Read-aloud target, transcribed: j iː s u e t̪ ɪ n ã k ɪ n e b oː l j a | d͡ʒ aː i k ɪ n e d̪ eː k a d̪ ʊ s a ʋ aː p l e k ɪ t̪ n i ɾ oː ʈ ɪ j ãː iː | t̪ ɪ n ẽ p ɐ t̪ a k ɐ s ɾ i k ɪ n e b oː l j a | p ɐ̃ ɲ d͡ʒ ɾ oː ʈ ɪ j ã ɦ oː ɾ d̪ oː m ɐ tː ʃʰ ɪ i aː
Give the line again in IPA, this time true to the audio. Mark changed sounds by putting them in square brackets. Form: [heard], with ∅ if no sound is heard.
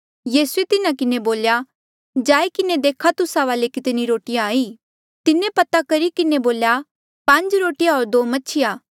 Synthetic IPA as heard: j iː s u e t̪ ɪ n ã k ɪ n e b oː l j a | d͡ʒ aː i k ɪ n e d̪ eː [kʰ] a [t̪] ʊ s a ʋ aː [∅] l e k ɪ t̪ n i ɾ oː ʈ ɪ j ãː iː | t̪ ɪ n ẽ p ɐ t̪ a k ɐ [∅] ɾ i k ɪ n e b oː l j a | p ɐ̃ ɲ d͡ʒ ɾ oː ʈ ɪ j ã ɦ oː ɾ d̪ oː m ɐ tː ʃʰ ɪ [j] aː

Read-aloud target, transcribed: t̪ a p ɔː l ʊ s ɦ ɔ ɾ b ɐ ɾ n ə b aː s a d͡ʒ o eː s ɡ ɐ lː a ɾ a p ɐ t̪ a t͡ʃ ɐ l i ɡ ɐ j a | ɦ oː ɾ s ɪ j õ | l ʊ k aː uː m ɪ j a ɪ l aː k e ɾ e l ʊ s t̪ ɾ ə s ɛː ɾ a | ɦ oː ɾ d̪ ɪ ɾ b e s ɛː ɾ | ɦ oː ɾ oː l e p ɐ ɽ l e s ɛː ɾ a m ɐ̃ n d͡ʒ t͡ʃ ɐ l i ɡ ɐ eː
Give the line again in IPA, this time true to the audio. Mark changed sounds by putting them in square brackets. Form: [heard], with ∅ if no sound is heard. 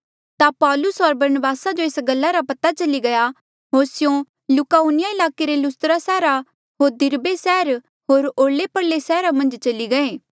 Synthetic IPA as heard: t̪ a p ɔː l ʊ s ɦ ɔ ɾ b ɐ ɾ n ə b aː s a d͡ʒ o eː s ɡ ɐ lː a ɾ a p ɐ t̪ a t͡ʃ ɐ l i ɡ ɐ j a | ɦ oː ɾ s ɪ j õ | l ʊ k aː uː [n] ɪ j a ɪ l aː k e ɾ e l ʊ s t̪ ɾ [a] s ɛː ɾ a | ɦ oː ɾ d̪ ɪ ɾ b e s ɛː ɾ | ɦ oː ɾ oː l e p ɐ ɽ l e s ɛː ɾ a m ɐ̃ n d͡ʒ t͡ʃ ɐ l i ɡ ɐ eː

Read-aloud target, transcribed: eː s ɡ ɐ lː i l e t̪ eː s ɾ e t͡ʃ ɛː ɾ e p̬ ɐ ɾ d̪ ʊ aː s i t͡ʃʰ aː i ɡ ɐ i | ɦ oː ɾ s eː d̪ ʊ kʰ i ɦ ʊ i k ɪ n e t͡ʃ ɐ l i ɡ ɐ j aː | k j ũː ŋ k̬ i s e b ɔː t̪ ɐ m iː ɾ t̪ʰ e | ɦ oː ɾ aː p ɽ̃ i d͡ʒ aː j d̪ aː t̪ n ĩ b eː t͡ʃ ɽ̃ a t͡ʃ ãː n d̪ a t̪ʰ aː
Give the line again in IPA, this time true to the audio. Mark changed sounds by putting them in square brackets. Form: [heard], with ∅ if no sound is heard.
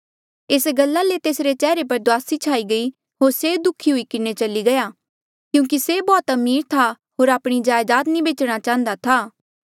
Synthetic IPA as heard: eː s ɡ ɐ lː [a] l e t̪ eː s ɾ e t͡ʃ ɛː ɾ e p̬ ɐ ɾ d̪ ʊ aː s i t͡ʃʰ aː i ɡ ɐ i | ɦ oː ɾ s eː d̪ ʊ kʰ i ɦ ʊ i k ɪ n e t͡ʃ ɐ l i ɡ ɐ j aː | k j ũː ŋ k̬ i s e b ɔː t̪ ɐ m iː ɾ t̪ʰ [a] | ɦ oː ɾ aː p ɽ̃ i d͡ʒ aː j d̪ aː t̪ n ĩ b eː t͡ʃ ɽ̃ a t͡ʃ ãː n d̪ a t̪ʰ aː

